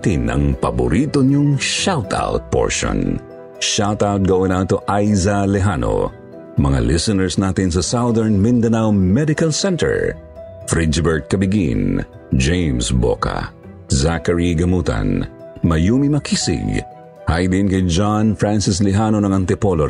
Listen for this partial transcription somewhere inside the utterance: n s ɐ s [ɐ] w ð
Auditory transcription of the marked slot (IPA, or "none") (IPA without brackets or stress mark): a